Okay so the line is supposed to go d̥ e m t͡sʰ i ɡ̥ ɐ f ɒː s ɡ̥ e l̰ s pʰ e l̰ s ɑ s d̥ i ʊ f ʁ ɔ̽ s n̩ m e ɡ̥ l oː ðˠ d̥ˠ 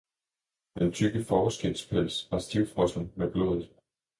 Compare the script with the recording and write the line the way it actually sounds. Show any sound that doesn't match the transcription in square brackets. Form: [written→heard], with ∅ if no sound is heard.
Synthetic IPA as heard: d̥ e [m→n] t͡sʰ [i→y] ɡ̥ [ɐ→ə] f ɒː s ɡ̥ e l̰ s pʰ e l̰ s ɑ s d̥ i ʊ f ʁ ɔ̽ s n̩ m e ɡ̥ l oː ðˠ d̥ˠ